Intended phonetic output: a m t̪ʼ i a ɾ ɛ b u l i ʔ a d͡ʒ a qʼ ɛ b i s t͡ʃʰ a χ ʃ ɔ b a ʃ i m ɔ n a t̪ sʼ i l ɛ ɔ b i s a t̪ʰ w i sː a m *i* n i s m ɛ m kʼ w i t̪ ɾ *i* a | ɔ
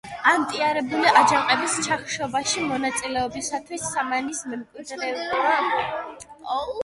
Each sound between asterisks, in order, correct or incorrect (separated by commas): incorrect, incorrect